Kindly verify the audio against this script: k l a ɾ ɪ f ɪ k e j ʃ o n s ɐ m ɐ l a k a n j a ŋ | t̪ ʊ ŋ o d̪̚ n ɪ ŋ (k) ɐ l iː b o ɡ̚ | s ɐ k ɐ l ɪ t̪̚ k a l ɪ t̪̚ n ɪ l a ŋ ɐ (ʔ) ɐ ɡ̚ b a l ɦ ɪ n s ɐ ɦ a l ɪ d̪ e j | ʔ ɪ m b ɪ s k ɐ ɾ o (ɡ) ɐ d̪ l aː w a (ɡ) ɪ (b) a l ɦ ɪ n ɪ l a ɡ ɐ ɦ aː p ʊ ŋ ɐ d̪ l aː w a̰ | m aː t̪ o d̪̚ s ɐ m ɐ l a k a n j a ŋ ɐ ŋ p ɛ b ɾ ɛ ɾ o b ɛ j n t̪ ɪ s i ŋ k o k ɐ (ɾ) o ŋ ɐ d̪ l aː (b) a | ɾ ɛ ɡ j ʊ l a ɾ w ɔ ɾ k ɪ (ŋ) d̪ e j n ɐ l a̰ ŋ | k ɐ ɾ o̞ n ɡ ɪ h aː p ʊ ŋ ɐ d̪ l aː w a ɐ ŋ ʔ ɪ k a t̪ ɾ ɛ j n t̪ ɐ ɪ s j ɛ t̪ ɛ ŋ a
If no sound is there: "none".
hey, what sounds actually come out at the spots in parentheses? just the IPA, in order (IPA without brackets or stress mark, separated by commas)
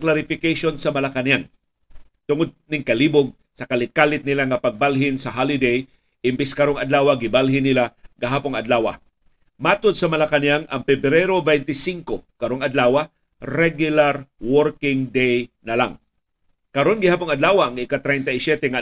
k, p, ŋ, ɡ, b, ɾ, w, ŋ